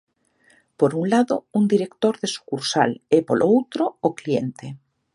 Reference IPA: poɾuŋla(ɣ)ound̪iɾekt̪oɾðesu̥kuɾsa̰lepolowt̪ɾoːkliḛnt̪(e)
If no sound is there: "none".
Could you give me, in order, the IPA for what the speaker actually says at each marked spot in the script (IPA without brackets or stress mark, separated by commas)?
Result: ð, e